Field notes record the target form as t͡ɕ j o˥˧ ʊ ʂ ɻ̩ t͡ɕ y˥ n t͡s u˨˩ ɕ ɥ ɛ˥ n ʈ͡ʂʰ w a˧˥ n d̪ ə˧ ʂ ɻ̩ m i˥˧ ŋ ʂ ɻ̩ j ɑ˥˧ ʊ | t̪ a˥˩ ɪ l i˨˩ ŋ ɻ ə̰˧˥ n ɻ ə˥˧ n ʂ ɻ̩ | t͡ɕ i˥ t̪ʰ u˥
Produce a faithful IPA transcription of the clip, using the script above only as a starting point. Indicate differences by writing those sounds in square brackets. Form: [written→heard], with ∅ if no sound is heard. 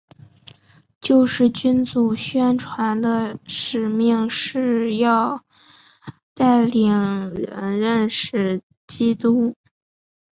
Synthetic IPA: t͡ɕ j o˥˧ ʊ ʂ ɻ̩ t͡ɕ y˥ n t͡s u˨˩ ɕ ɥ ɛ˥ n ʈ͡ʂʰ w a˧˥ n d̪ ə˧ ʂ ɻ̩ m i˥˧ ŋ ʂ ɻ̩ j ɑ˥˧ ʊ | t̪ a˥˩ ɪ l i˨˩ ŋ ɻ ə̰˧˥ n ɻ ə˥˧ n ʂ ɻ̩ | t͡ɕ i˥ [t̪ʰ→t̪] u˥